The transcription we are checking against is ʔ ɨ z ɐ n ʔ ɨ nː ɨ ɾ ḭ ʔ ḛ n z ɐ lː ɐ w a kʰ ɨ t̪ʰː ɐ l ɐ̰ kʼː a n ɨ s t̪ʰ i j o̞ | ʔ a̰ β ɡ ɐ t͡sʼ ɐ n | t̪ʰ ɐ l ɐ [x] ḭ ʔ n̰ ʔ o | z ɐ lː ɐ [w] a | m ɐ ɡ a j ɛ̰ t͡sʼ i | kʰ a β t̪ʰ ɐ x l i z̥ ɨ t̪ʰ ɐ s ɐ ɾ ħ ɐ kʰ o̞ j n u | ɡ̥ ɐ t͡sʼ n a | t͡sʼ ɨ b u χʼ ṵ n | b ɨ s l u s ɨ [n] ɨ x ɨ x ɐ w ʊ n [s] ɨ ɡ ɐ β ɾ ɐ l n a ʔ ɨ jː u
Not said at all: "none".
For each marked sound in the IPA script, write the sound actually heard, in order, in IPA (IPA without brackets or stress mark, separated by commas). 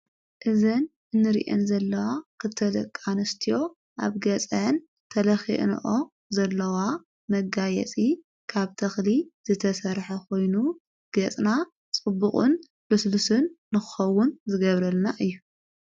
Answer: x, w, nː, z